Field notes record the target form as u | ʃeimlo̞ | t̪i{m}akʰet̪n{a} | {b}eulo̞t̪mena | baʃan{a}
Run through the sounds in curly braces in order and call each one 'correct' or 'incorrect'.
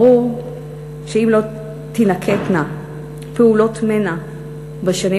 incorrect: n, correct, incorrect: p, incorrect: i

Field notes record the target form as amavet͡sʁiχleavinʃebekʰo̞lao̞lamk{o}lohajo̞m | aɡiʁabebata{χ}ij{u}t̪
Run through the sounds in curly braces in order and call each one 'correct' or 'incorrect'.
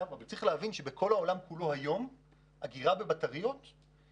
incorrect: u, incorrect: ʁ, incorrect: o

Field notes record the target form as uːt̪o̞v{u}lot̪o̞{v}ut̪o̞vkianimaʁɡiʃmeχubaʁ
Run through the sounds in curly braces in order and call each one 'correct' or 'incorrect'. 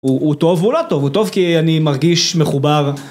correct, correct

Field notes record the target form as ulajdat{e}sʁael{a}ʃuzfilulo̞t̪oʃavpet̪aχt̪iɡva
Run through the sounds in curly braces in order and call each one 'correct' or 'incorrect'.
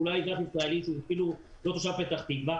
incorrect: i, incorrect: i

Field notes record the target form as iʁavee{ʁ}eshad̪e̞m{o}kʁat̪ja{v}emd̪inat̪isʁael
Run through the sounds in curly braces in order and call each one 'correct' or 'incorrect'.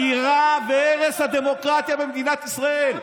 correct, correct, incorrect: b

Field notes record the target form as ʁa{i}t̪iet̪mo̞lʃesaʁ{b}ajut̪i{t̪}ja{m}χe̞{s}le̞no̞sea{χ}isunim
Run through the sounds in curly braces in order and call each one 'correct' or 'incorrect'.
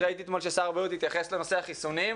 correct, correct, correct, incorrect: none, correct, correct

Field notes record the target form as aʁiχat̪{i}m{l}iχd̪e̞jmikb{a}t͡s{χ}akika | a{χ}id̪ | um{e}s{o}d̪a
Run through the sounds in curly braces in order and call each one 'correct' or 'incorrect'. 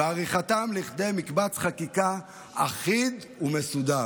incorrect: a, correct, correct, correct, correct, correct, incorrect: u

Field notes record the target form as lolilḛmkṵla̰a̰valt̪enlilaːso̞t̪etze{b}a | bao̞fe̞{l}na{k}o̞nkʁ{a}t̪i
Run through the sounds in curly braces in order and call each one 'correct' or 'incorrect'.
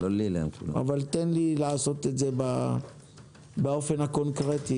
correct, incorrect: none, correct, incorrect: e

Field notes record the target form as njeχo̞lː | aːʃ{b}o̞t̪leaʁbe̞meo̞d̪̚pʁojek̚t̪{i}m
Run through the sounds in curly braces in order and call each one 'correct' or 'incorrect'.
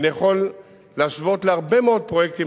incorrect: v, correct

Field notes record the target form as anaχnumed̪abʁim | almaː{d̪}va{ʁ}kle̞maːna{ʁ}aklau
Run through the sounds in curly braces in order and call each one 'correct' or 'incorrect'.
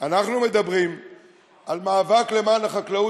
incorrect: none, incorrect: none, incorrect: χ

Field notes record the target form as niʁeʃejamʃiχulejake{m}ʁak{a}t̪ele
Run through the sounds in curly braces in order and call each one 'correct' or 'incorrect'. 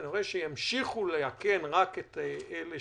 incorrect: n, incorrect: e

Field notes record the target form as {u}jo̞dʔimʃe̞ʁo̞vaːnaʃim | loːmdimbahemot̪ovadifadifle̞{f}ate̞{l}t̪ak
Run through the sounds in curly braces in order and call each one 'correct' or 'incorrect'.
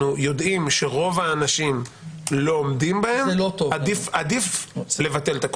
correct, incorrect: v, correct

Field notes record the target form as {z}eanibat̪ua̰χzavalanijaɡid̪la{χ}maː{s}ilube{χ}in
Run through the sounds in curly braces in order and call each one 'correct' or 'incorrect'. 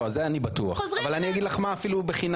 correct, correct, incorrect: f, correct

